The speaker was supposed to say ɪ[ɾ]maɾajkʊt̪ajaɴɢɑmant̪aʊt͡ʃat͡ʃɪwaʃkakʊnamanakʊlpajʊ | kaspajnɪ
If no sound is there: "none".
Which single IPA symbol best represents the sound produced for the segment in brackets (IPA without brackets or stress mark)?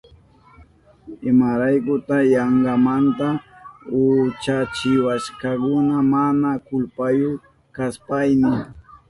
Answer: none